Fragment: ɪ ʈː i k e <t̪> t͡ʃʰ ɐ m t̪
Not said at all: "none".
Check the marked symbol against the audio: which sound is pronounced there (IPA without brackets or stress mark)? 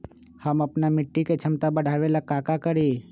none